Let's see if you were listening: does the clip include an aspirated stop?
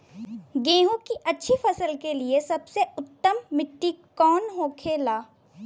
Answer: yes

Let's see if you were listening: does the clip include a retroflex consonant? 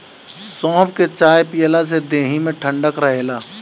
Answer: yes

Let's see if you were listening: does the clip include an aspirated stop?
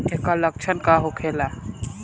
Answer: yes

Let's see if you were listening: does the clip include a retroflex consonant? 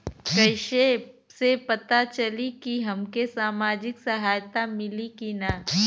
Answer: no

